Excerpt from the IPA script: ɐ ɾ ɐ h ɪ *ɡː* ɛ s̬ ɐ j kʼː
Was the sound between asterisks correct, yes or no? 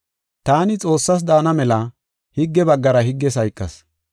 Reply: yes